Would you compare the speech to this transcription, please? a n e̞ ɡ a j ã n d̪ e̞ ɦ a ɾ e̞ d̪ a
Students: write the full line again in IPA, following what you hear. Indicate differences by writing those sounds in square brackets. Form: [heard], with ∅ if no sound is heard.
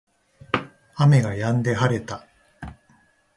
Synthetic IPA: a [m] e̞ ɡ a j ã n d̪ e̞ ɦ a ɾ e̞ [t̪] a